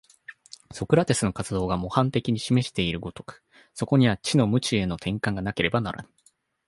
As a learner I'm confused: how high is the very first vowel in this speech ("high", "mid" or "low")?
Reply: mid